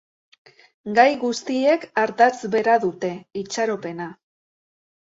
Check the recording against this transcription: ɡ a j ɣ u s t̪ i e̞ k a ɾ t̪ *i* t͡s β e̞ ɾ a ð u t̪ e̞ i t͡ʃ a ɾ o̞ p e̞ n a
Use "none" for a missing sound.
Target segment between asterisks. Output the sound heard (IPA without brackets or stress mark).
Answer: a